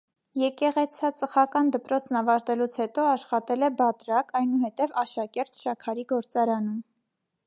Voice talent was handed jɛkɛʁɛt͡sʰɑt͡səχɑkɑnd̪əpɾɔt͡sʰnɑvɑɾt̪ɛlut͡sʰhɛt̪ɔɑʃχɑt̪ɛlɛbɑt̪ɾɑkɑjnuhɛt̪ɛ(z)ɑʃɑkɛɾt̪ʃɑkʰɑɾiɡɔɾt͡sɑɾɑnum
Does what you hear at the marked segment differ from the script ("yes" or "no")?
yes